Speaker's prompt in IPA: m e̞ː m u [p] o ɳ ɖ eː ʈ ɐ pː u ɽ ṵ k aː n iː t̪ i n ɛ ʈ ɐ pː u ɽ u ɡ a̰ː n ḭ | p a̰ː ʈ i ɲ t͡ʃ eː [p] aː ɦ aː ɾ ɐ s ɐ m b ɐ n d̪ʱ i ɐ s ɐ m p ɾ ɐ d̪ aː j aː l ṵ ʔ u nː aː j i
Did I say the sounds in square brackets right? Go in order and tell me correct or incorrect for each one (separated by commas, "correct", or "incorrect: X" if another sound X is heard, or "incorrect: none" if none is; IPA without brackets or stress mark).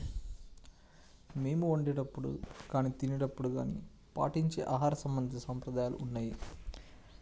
incorrect: none, incorrect: ʔ